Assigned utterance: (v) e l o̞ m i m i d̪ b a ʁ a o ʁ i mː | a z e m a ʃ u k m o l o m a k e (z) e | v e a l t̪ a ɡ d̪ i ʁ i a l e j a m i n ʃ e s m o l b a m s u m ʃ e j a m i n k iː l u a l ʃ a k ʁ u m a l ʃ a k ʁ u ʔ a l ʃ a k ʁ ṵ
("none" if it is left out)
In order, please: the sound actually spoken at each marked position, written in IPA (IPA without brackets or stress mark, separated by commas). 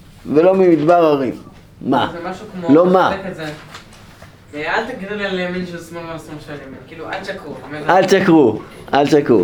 v, z